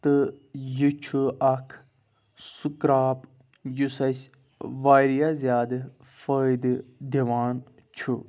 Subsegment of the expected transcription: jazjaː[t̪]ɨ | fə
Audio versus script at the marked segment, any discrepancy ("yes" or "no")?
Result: yes